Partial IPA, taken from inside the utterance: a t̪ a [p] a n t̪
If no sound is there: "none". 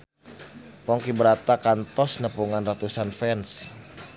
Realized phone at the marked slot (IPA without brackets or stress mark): k